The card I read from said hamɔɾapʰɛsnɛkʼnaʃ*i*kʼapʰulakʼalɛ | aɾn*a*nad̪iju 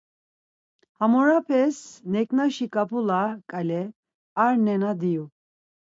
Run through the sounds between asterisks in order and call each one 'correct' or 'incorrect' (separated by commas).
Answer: correct, incorrect